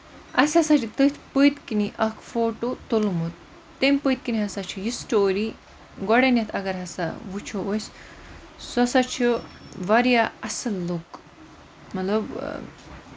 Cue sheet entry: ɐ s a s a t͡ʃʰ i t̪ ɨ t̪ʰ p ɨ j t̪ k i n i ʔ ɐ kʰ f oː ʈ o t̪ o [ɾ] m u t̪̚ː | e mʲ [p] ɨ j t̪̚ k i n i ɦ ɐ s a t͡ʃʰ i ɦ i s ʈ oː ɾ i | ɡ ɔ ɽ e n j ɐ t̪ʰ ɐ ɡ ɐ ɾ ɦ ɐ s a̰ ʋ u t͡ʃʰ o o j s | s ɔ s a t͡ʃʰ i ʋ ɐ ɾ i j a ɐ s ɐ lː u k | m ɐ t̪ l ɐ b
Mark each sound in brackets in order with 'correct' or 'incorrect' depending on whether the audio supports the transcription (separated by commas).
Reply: incorrect, correct